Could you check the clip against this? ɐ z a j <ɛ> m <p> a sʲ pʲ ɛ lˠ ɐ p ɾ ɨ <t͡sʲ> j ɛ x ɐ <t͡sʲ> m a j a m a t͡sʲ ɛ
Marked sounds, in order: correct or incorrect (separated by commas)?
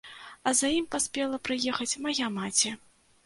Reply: incorrect, correct, incorrect, correct